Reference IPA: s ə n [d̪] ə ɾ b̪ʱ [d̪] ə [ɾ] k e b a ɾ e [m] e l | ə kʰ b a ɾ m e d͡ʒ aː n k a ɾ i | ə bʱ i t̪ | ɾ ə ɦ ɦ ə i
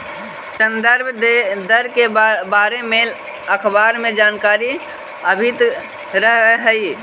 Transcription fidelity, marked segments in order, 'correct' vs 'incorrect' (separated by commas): correct, correct, correct, correct